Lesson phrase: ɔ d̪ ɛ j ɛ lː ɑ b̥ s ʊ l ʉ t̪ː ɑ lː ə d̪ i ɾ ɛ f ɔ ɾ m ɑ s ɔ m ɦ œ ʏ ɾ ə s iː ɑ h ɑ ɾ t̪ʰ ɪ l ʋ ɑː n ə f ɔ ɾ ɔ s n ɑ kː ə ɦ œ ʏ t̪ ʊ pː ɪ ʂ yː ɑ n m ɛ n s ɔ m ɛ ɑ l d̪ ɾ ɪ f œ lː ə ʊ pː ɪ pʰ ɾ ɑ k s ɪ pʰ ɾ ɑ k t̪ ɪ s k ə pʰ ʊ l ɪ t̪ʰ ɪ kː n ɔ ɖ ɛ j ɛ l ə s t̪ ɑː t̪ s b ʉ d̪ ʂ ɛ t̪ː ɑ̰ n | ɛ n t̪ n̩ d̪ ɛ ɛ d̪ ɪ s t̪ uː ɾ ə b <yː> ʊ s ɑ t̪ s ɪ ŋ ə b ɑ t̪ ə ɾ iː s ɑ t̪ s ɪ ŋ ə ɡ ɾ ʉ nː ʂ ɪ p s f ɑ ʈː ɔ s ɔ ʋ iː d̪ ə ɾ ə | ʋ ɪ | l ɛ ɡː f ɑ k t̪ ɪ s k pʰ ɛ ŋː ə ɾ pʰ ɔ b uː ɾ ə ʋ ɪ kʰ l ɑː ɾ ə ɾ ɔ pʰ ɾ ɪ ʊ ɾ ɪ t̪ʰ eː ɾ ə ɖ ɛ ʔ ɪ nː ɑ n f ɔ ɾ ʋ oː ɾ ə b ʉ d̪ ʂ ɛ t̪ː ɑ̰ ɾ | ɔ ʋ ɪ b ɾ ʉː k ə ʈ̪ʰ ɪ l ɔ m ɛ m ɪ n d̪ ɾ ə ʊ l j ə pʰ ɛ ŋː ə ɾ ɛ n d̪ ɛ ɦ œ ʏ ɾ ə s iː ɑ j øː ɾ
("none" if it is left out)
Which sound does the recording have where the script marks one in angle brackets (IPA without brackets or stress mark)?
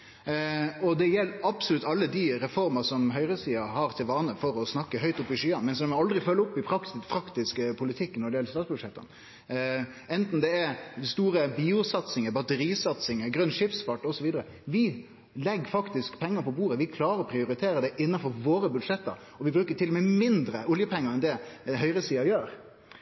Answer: iː